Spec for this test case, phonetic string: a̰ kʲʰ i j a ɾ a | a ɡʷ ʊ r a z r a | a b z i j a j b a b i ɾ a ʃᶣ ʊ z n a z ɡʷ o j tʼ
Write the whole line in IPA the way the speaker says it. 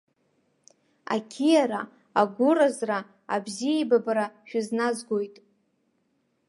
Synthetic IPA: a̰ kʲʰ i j a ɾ a | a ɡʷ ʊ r a z r a | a b z i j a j b a b a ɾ a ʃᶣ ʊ z n a z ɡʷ o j tʼ